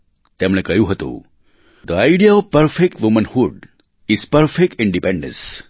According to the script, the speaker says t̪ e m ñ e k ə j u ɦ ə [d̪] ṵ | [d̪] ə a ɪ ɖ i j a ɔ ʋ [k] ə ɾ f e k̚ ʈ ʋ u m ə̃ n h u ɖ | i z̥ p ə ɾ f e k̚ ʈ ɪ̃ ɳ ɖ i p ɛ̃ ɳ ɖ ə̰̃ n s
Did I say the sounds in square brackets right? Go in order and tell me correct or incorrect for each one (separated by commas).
incorrect, correct, incorrect